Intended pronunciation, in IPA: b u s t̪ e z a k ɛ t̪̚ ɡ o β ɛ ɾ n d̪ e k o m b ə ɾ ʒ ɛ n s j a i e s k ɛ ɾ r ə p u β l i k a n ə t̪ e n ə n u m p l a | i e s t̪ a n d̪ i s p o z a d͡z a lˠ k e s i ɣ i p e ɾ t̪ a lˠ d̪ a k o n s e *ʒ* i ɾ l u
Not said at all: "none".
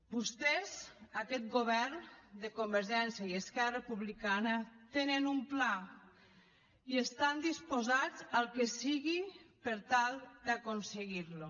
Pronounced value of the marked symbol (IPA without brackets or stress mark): ɣ